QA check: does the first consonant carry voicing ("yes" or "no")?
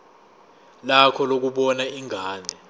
yes